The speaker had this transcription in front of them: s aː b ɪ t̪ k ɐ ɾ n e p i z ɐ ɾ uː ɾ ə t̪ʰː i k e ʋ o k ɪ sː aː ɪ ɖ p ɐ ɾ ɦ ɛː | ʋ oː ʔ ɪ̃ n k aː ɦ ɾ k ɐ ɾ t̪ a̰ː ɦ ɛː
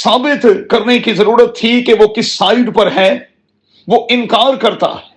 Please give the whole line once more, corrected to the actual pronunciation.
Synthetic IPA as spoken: s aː b ɪ t̪ k ɐ ɾ n e k i z ɐ ɾ uː ɾ ə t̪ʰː i k e ʋ o k ɪ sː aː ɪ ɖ p ɐ ɾ ɦ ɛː | ʋ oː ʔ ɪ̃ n k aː ɾ k ɐ ɾ t̪ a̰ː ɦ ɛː